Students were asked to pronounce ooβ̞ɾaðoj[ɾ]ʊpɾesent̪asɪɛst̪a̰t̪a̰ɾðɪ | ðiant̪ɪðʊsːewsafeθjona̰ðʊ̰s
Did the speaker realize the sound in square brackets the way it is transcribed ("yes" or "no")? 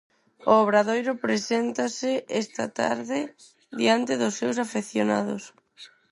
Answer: yes